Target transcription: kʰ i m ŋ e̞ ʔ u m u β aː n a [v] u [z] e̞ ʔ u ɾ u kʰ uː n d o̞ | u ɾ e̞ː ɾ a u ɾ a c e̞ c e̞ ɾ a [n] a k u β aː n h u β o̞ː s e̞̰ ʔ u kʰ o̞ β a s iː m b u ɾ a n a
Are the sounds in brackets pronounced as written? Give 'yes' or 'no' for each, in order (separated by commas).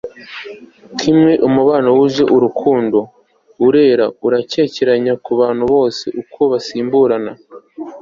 no, no, no